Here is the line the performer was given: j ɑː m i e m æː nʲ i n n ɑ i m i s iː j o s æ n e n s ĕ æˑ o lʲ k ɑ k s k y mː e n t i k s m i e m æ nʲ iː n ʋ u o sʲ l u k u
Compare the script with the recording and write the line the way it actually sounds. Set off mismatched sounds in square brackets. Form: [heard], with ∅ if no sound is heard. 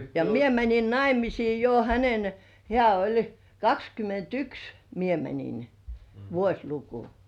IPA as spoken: j [ɑ] m i e m [æ] nʲ i n n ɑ i m i s iː j o [h] æ n e n [h] ĕ æˑ o lʲ k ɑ k s k y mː e n t [y] k s m i e m æ nʲ [i] n ʋ u o sʲ l u k u